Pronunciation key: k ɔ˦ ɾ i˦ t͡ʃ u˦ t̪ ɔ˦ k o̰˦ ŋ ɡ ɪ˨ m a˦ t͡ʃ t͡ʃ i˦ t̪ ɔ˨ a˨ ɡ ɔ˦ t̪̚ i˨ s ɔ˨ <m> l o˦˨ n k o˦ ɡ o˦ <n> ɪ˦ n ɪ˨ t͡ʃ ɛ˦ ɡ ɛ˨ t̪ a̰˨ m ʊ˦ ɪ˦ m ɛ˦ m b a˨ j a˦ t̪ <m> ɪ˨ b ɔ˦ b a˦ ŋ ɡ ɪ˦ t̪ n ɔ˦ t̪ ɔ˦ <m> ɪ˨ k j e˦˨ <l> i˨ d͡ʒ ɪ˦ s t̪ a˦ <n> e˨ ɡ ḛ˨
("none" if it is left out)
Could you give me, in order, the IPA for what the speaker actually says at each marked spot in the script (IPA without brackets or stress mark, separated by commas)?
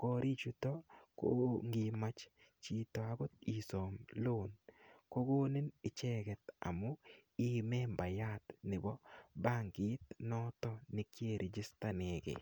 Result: m, n, n, n, ɾ, n